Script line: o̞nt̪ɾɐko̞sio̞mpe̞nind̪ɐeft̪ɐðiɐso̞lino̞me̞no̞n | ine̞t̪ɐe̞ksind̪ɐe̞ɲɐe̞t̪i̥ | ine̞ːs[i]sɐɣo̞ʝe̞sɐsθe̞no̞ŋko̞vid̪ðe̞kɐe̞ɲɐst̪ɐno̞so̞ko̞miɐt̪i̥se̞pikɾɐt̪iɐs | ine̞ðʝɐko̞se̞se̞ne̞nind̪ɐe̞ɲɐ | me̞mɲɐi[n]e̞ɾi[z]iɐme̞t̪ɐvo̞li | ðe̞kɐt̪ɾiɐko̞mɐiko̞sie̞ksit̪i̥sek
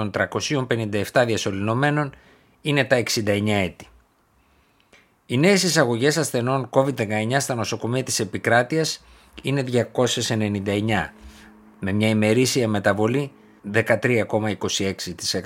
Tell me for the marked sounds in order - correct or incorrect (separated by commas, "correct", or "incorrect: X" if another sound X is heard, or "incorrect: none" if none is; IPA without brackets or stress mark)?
correct, incorrect: m, incorrect: s